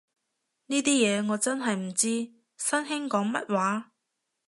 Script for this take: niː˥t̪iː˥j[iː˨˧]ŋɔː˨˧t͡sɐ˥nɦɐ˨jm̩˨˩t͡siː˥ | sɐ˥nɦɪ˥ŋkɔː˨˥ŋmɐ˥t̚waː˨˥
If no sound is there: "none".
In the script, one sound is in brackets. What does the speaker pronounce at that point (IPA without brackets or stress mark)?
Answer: ɛː˨˧